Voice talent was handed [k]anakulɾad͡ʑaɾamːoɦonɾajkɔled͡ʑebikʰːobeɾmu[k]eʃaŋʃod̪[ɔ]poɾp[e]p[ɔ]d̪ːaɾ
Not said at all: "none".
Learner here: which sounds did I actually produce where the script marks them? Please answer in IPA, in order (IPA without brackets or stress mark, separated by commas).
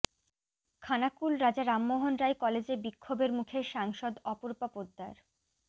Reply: kʰ, kʰ, ɔ, a, o